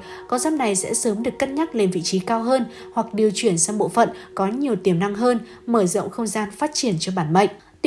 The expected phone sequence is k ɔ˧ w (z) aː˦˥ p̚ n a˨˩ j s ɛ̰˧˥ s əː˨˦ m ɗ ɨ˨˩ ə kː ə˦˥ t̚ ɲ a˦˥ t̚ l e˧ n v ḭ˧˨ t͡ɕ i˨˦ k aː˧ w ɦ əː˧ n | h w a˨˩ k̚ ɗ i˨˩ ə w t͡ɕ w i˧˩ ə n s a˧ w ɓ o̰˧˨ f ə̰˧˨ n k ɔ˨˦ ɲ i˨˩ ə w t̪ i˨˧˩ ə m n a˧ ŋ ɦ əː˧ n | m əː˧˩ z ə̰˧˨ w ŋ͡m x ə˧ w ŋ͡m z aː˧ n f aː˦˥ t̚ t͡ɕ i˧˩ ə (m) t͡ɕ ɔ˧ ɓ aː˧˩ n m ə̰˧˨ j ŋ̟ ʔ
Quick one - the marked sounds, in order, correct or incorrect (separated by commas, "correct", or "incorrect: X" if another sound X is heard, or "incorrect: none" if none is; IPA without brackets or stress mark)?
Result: correct, incorrect: n